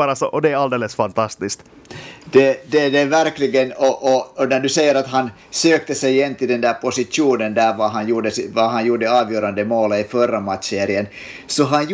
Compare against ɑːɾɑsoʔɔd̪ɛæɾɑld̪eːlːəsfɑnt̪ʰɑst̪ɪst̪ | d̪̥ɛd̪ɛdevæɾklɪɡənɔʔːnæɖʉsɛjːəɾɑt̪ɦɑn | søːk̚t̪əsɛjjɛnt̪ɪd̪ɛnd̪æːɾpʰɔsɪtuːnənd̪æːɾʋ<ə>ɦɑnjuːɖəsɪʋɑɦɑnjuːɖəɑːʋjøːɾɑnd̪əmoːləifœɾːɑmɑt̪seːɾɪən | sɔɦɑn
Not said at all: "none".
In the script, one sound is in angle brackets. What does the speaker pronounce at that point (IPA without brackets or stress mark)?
ɑ